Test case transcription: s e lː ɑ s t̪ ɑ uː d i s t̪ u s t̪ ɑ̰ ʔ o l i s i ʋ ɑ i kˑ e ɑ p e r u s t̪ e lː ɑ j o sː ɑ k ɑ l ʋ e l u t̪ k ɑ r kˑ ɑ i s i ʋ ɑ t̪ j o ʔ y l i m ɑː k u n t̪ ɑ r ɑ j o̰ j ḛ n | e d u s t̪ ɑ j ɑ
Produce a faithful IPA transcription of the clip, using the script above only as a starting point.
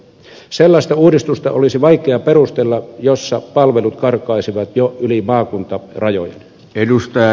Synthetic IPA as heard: s e lː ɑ s t̪ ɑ uː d i s t̪ u s t̪ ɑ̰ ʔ o l i s i ʋ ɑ i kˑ e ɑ p e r u s t̪ e lː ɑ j o sː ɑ p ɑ l ʋ e l u t̪ k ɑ r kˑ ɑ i s i ʋ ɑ t̪ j o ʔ y l i m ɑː k u n t̪ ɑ r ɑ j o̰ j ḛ n | e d u s t̪ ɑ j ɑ